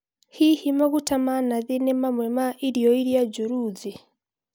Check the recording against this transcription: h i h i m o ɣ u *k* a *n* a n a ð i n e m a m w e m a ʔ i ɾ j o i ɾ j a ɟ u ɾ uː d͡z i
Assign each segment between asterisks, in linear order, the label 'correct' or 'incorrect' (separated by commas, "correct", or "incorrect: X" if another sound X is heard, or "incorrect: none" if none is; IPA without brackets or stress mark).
incorrect: t, incorrect: m